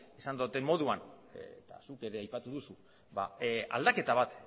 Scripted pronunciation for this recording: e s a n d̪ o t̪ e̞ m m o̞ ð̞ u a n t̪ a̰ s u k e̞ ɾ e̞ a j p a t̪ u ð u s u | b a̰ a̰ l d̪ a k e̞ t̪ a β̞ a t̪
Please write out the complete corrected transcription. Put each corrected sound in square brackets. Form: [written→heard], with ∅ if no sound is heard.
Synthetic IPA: e s a n d̪ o t̪ e̞ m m o̞ ð̞ u a n t̪ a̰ s u k e̞ ɾ e̞ a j p a t̪ u ð u s u | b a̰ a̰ l d̪ a k e̞ t̪ a β̞ a t̪